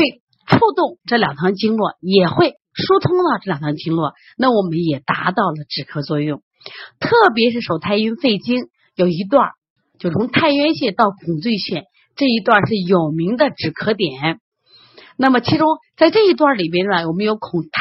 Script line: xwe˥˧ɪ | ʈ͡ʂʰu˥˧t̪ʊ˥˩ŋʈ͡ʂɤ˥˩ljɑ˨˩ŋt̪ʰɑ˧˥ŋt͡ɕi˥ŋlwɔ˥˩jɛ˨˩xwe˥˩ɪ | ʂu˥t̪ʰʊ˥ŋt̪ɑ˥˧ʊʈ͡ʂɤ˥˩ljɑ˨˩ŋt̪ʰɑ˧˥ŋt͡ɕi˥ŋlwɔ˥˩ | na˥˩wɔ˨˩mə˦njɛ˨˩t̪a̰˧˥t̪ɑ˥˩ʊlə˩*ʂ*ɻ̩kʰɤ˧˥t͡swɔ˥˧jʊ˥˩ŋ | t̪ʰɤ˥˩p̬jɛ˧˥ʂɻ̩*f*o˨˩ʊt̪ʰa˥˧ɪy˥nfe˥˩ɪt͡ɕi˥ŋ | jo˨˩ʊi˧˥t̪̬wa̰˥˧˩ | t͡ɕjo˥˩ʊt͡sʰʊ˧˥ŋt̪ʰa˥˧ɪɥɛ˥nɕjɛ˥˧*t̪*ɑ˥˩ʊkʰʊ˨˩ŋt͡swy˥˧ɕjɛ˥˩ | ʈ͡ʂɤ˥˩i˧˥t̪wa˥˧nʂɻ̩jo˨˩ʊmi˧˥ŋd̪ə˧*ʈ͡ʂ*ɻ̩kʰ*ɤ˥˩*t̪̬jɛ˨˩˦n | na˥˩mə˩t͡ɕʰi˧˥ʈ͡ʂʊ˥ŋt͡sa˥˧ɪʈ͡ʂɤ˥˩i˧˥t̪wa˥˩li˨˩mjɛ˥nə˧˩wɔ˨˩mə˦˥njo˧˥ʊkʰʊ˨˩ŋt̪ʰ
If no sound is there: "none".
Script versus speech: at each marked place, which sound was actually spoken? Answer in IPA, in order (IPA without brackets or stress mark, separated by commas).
ʈ͡ʂ, ʂ, t̪, ʈ͡ʂ, ɤ˧˥